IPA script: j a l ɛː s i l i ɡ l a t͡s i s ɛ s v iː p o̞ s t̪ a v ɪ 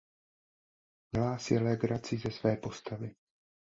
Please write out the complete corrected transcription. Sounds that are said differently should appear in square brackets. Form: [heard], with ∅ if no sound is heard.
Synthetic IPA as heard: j [ɛ] l [aː] s [ɛ] l [ɛ] ɡ [ɾ] a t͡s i [z] ɛ s v [ɛː] p o̞ s t̪ a v ɪ